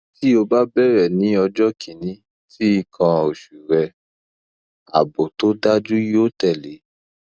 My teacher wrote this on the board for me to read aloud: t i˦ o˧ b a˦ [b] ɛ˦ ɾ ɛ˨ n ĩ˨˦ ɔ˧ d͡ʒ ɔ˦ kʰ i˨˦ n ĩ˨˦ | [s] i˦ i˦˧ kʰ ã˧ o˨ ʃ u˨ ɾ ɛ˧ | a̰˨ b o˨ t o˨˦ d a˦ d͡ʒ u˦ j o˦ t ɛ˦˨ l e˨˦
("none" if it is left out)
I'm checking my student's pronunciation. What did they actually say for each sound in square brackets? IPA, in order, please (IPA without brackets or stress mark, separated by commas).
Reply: b, t